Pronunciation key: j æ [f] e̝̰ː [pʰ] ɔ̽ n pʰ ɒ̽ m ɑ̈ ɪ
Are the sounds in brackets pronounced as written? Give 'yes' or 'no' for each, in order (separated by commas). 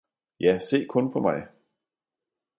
no, no